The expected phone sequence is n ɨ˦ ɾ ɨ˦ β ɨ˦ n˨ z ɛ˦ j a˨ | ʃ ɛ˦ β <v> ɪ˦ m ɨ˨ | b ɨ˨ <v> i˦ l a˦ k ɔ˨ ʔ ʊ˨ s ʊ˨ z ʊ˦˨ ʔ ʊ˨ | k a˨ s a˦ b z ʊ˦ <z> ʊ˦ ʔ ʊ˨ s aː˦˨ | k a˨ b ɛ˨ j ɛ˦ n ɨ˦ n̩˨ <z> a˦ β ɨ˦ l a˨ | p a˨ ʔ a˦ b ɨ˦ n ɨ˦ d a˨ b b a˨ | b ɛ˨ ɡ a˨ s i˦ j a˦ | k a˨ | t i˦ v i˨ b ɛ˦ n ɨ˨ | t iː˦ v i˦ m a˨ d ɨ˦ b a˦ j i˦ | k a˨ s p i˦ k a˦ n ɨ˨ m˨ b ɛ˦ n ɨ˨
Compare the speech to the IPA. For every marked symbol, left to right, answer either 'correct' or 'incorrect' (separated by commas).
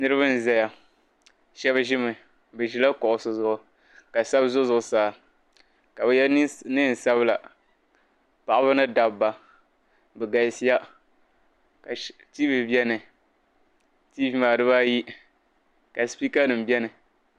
incorrect, incorrect, correct, incorrect